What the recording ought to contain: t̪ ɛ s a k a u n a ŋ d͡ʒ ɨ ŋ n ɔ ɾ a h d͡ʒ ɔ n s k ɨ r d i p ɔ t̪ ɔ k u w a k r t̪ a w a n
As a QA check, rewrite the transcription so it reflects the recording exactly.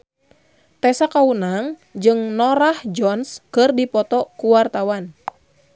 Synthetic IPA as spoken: t̪ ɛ s a k a u n a ŋ d͡ʒ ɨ ŋ n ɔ ɾ a h d͡ʒ ɔ n s k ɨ r d i p ɔ t̪ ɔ k u w a r t̪ a w a n